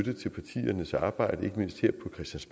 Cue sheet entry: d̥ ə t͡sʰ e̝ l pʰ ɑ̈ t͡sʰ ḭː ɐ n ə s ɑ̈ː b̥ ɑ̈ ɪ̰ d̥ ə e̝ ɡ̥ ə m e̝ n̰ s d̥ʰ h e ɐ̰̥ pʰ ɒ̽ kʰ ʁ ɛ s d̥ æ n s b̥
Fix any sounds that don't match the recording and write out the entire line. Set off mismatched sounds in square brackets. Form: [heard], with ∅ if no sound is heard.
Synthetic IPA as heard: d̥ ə t͡sʰ e̝ l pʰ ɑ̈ t͡sʰ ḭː ɐ n ə s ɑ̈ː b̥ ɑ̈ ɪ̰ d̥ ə e̝ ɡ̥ ə m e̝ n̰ s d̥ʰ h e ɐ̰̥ pʰ ɒ̽ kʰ ʁ ɛ s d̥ æ n s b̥